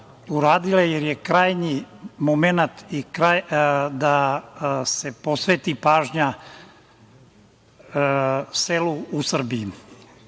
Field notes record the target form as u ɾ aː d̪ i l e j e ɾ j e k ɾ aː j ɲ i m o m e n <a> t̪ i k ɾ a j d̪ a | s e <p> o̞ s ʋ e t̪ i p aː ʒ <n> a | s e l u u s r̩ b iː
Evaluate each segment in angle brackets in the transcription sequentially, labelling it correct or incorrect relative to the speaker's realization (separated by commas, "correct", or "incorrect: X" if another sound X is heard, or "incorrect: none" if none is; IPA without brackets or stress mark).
correct, correct, incorrect: ɲ